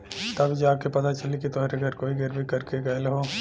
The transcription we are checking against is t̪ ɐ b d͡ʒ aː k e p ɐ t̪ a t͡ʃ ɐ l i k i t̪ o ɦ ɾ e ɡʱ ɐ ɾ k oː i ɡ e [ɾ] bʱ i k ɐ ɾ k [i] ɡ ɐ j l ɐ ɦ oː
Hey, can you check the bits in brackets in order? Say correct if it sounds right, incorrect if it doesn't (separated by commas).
correct, incorrect